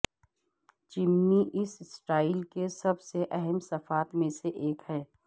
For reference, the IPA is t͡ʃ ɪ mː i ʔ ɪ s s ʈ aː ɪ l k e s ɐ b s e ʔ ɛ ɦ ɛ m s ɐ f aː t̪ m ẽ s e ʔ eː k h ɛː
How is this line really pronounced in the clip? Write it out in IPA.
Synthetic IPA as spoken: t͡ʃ ɪ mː i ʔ ɪ s s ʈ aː ɪ l k e s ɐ b s e ʔ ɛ ɦ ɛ m s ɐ f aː t̪ m ẽ s e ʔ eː k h ɛː